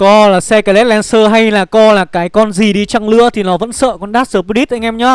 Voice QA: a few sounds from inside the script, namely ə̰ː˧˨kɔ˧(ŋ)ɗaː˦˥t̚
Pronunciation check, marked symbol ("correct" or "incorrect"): incorrect